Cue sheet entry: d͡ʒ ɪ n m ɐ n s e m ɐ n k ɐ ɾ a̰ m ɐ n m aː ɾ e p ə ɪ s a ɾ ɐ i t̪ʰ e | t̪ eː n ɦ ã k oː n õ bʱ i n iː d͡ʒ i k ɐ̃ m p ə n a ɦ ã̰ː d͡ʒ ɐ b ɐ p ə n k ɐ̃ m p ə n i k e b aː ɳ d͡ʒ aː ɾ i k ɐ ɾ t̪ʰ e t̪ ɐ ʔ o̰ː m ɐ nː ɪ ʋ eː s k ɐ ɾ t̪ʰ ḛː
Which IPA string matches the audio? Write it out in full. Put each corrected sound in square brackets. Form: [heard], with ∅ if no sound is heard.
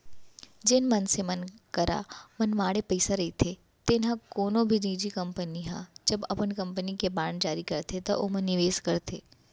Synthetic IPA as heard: d͡ʒ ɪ n m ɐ n s e m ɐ n k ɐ ɾ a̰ m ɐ n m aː [ɽ] e p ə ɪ s a ɾ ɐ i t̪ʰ e | t̪ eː n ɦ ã k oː n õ bʱ i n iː d͡ʒ i k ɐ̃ m p ə n [i] ɦ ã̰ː d͡ʒ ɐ b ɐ p ə n k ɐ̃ m p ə n i k e b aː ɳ d͡ʒ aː ɾ i k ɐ ɾ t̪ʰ e t̪ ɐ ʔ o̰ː m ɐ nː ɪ ʋ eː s k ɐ ɾ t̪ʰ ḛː